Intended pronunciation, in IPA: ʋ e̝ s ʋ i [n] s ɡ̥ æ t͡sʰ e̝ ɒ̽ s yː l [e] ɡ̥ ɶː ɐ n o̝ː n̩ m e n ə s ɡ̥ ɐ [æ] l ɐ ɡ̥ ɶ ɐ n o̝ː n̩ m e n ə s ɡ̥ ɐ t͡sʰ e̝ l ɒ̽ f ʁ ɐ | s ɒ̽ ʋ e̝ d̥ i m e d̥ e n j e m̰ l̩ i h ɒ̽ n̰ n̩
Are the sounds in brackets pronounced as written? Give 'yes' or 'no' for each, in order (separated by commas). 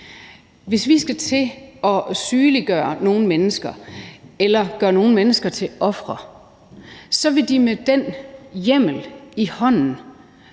no, no, no